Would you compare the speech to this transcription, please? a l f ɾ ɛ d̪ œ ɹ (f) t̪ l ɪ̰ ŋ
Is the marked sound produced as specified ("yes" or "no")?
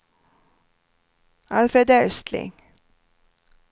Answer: no